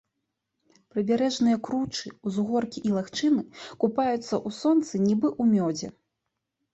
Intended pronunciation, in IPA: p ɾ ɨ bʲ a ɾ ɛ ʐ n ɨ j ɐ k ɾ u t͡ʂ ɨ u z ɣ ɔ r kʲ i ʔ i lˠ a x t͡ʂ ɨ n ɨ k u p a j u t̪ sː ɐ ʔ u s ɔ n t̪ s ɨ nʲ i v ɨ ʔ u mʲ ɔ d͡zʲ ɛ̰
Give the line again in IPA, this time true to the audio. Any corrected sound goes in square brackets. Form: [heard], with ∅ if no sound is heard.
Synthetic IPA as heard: p ɾ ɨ bʲ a ɾ ɛ ʐ n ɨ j ɐ k ɾ u t͡ʂ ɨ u z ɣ ɔ r kʲ i ʔ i lˠ a x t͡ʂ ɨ n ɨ k u p a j u t̪ sː ɐ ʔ u s ɔ n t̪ s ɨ nʲ i [b] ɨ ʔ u mʲ ɔ d͡zʲ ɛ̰